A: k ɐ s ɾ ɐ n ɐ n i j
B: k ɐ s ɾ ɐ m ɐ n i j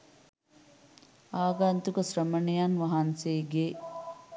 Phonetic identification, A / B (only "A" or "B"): B